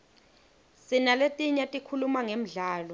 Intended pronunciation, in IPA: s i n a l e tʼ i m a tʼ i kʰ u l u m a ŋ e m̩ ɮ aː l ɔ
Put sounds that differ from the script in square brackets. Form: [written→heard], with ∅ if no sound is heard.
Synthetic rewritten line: s i n a l e tʼ i [m→ɲ] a tʼ i kʰ u l u m a ŋ e m̩ ɮ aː l ɔ